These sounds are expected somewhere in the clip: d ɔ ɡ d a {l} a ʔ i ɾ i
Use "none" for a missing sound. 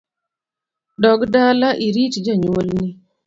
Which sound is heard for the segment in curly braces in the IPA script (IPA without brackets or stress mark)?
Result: l